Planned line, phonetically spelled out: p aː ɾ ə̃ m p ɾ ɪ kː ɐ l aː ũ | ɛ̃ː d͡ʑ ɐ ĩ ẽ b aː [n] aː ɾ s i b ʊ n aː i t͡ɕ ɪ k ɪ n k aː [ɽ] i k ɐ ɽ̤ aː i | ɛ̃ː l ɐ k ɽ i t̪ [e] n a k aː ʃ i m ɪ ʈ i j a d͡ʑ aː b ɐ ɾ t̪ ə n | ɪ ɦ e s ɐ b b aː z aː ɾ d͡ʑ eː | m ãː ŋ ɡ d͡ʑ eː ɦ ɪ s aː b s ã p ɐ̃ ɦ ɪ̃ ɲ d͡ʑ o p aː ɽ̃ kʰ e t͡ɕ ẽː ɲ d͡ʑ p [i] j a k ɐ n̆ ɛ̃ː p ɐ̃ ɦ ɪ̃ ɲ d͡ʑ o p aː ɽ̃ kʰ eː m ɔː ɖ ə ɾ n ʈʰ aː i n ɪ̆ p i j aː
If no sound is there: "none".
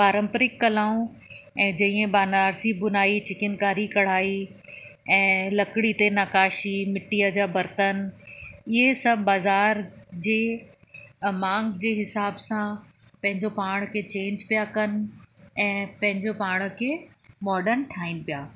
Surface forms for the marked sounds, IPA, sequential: n, ɾ, e, i

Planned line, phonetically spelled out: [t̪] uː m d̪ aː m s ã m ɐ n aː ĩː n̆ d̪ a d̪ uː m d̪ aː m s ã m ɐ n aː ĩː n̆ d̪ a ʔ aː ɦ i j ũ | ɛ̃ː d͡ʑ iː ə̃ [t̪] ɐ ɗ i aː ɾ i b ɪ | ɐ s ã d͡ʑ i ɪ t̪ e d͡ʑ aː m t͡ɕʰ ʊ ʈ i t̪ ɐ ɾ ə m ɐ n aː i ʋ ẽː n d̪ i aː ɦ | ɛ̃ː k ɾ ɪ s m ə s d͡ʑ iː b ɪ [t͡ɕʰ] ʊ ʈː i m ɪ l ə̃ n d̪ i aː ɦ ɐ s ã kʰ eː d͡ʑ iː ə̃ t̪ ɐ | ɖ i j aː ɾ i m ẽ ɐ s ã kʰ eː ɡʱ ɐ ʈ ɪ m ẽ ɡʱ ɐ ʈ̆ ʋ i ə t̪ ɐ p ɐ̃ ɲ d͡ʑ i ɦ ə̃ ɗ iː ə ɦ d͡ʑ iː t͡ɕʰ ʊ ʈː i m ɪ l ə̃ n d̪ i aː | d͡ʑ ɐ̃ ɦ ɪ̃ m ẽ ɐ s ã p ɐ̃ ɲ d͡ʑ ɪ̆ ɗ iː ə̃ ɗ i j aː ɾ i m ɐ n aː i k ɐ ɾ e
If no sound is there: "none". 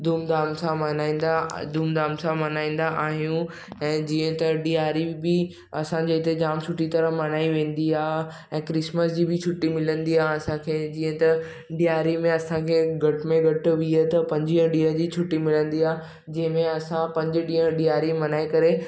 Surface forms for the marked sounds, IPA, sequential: d̪, t̪, t͡ɕʰ

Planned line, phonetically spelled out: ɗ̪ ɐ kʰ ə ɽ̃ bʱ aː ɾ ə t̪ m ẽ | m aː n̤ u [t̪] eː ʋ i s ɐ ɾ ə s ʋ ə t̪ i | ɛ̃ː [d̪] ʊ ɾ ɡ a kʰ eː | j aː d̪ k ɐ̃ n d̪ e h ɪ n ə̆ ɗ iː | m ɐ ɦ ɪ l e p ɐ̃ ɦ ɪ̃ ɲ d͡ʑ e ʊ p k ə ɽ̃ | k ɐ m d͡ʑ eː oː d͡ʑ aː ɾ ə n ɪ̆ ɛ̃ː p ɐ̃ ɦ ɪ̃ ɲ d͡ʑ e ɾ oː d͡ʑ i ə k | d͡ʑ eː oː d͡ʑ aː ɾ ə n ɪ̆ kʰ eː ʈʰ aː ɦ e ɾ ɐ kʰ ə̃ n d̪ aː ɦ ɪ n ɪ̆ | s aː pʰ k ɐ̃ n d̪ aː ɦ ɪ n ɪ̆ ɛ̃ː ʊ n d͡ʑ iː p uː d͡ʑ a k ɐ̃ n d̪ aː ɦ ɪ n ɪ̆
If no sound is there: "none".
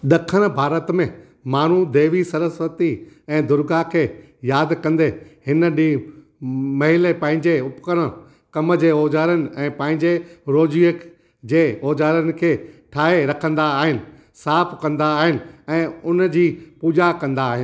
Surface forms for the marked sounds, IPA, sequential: d̪, d̪

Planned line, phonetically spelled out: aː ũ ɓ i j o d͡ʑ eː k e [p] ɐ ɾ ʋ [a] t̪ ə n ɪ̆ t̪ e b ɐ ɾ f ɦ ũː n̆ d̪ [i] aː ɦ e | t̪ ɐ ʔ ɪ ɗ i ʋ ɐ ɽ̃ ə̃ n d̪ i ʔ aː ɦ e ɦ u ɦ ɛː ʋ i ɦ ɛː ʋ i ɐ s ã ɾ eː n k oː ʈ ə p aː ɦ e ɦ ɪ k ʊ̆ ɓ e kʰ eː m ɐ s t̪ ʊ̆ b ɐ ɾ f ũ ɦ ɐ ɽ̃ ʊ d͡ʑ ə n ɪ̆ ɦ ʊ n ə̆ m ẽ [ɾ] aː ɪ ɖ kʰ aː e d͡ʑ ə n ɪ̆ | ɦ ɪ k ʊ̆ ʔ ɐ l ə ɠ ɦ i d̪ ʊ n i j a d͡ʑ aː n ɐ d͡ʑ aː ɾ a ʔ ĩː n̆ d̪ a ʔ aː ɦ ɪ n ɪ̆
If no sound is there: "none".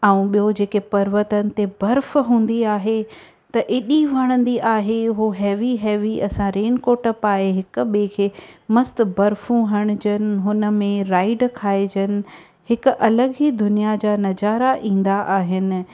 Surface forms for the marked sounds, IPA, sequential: p, ə, i, ɾ

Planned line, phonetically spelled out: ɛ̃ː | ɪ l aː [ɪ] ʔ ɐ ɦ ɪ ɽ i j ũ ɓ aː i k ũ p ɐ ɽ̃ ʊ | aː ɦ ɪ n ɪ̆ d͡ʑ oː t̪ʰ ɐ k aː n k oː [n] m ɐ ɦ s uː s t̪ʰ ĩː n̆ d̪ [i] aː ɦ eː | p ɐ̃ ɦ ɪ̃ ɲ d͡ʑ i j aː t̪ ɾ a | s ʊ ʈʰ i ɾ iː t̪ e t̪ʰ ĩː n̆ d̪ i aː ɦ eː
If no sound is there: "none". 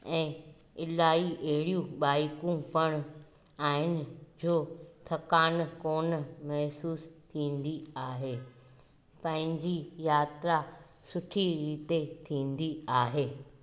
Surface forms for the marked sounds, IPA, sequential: i, n, i

